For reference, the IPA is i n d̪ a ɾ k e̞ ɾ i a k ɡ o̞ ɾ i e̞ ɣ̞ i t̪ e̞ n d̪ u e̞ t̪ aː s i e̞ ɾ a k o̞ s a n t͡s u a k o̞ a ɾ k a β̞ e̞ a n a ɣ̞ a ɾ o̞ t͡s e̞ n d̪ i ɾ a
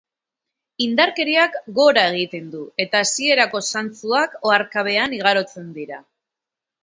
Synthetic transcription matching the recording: i n d̪ a ɾ k e̞ ɾ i a k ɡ o̞ ɾ a e̞ ɣ̞ i t̪ e̞ n d̪ u e̞ t̪ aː s i e̞ ɾ a k o̞ s a n t͡s u a k o̞ a ɾ k a β̞ e̞ a n i ɣ̞ a ɾ o̞ t͡s e̞ n d̪ i ɾ a